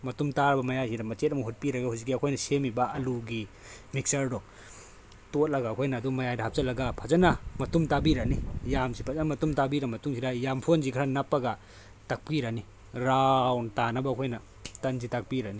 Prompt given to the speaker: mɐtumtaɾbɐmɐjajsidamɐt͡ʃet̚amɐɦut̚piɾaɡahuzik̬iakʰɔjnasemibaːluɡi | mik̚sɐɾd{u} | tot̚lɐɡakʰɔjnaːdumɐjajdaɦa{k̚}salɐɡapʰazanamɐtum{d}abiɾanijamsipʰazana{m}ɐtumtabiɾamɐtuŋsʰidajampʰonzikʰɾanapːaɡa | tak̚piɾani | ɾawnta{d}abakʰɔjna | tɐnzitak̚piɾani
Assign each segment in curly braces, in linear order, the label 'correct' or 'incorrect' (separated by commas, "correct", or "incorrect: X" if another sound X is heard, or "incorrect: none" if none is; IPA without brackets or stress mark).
incorrect: ɔ, incorrect: p̚, incorrect: t, correct, incorrect: n